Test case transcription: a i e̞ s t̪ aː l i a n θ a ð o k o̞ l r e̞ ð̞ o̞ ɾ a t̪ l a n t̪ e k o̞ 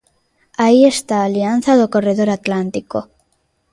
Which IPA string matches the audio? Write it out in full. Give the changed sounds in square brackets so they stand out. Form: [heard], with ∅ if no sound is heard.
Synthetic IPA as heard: a i e̞ s t̪ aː l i a n θ a ð o k o̞ [∅] r e̞ ð̞ o̞ ɾ a t̪ l a n t̪ [i] k o̞